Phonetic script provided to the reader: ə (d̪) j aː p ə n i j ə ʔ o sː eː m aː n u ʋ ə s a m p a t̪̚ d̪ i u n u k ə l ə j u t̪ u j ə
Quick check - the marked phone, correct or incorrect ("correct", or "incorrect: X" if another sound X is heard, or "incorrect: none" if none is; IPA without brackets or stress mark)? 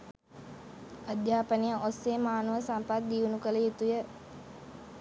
correct